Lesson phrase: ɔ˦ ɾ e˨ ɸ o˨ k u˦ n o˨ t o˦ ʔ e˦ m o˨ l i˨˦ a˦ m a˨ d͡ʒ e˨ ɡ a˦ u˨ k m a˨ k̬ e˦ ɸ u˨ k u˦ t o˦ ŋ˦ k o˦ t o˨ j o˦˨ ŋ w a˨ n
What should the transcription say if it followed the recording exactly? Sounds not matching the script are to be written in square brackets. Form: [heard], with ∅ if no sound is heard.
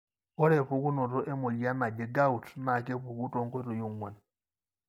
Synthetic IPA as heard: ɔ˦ ɾ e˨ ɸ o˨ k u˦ n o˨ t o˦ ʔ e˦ m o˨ l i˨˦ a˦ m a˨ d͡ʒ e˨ ɡ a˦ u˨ [t] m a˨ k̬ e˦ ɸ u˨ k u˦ t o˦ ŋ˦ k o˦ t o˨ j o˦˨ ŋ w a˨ n